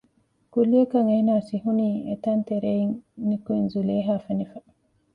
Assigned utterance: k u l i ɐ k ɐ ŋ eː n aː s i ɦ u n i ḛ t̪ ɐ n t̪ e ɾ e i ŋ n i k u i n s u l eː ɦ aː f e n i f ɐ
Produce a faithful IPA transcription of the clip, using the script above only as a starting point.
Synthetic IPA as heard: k u l i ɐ k ɐ ŋ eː n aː s i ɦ u n iː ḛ t̪ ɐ n t̪ e ɾ e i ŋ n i k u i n z u l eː ɦ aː f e n i f ɐ